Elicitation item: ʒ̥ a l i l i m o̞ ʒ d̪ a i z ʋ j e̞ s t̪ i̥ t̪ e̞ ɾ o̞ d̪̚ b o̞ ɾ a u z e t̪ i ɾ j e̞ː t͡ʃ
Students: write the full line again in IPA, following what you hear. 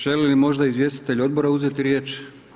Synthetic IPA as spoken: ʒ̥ e l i l i m o̞ ʒ d̪ a i z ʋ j e̞ s t̪ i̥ t̪ e̞ ʎ o̞ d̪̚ b o̞ ɾ a u z e t̪ i ɾ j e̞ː t͡ʃ